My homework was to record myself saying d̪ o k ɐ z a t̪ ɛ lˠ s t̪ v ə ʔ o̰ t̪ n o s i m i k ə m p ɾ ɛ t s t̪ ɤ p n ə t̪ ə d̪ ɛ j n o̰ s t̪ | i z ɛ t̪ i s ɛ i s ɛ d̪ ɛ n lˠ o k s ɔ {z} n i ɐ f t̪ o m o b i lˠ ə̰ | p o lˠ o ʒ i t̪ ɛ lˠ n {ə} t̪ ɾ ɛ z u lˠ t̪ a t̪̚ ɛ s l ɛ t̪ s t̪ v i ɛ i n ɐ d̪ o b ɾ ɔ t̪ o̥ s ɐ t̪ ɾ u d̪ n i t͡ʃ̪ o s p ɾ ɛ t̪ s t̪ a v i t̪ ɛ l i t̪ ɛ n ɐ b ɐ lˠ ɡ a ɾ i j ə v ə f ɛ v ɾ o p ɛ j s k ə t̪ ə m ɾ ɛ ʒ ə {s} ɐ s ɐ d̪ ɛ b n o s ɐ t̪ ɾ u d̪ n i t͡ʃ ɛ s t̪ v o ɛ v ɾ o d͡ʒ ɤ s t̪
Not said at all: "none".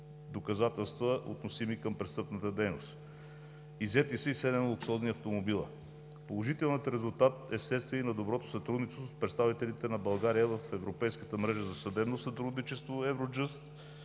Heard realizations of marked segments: z, ə, z

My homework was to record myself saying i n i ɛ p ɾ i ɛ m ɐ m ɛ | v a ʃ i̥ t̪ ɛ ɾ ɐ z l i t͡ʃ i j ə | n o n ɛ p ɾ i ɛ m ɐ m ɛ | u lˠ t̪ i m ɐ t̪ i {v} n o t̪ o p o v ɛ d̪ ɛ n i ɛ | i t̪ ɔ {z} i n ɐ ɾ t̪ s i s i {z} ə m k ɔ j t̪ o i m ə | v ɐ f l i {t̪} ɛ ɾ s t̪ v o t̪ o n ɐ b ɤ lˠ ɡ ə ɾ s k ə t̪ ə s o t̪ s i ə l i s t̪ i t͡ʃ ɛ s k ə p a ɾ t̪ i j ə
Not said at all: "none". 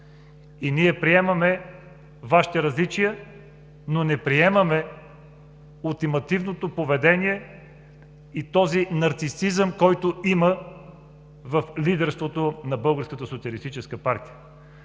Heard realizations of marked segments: v, z, z, d̪

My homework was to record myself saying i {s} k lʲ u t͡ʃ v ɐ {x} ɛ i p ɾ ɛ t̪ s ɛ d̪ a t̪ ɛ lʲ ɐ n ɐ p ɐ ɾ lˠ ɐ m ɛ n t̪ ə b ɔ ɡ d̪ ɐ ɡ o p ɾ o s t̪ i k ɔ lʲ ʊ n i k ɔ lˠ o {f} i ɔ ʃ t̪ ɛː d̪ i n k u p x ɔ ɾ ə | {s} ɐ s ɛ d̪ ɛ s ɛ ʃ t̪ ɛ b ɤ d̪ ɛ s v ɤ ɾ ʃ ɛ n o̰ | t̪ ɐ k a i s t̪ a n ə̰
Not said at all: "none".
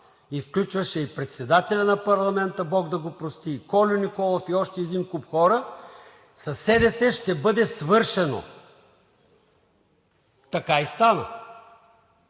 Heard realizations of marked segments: f, ʃ, f, s

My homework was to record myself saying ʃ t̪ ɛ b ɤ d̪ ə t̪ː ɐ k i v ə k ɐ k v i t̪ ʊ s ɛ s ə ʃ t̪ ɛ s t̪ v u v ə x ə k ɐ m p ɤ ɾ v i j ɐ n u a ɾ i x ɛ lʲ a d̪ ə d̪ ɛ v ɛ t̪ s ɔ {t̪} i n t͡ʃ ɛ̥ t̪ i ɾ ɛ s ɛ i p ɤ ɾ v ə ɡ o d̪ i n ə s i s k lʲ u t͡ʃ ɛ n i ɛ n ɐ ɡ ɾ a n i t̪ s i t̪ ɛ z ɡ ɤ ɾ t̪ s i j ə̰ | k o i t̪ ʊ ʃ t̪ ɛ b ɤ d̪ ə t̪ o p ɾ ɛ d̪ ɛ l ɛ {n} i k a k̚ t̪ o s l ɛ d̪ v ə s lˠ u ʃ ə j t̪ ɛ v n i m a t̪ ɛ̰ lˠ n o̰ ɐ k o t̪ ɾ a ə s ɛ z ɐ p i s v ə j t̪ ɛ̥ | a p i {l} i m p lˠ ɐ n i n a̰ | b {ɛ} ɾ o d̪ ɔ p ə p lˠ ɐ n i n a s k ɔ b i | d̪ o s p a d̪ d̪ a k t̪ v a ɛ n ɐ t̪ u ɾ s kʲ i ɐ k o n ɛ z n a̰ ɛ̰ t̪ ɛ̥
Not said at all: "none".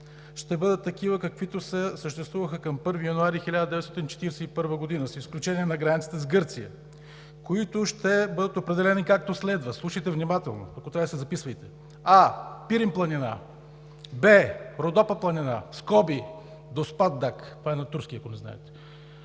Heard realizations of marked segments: t̪, n, ɾ, ɛ

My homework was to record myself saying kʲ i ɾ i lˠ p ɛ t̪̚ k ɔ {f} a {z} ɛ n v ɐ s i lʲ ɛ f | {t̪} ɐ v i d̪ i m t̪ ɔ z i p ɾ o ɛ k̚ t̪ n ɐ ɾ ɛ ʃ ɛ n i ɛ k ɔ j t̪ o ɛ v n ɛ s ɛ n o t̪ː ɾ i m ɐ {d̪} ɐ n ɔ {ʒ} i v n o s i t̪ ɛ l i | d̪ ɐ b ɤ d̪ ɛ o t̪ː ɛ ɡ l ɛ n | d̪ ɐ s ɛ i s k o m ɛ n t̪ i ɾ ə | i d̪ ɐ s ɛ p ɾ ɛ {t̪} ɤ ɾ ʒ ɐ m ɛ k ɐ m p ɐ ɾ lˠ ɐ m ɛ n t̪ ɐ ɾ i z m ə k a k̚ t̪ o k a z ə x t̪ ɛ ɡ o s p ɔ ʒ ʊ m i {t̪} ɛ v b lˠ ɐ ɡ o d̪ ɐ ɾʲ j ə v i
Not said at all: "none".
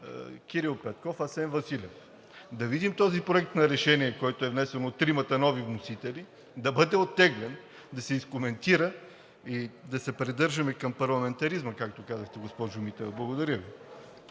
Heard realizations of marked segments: f, s, d̪, t̪, v, d̪, t̪

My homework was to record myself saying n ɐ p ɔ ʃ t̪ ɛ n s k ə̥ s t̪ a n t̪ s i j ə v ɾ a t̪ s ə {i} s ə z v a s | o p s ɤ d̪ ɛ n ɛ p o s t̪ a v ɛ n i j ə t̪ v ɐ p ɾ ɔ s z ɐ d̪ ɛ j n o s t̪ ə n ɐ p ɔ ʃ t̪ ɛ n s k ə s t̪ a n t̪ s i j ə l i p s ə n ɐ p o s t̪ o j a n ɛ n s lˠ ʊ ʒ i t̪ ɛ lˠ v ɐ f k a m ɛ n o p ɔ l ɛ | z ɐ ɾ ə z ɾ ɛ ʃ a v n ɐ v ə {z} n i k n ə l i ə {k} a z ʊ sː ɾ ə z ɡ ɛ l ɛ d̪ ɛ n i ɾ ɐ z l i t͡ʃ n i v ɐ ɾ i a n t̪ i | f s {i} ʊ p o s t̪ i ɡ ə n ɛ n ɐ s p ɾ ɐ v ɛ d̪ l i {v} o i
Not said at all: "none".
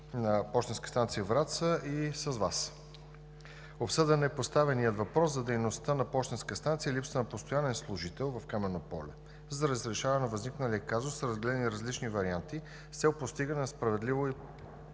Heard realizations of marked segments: i, z, k, ɛ, v

